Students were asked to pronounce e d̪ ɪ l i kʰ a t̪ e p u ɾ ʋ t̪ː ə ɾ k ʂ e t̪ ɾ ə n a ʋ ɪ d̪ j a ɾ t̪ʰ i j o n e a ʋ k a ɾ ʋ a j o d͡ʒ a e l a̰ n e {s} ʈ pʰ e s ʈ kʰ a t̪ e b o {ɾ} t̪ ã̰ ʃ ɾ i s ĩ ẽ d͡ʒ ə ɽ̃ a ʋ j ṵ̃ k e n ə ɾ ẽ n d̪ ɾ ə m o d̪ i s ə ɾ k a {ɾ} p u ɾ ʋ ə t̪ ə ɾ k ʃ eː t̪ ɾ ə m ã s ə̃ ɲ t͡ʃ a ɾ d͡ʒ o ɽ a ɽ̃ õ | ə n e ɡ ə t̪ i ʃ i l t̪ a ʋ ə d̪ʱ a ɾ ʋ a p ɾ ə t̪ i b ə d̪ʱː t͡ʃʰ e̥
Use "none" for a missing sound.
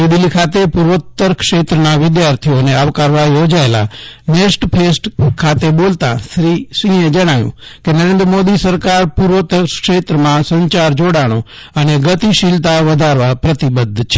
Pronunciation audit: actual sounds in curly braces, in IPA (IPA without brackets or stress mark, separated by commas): s, l, ɾ